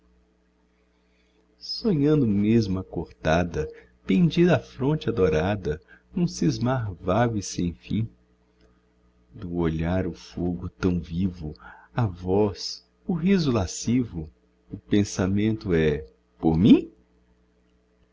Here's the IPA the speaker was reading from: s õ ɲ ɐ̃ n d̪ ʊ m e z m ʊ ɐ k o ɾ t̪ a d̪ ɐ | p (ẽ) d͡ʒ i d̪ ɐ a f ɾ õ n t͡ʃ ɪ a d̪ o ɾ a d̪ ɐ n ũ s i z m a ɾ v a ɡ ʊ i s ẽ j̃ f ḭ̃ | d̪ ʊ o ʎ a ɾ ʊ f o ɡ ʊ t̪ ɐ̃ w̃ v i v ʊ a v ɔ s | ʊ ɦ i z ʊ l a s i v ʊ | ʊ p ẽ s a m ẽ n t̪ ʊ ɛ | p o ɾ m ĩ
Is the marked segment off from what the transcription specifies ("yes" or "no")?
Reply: no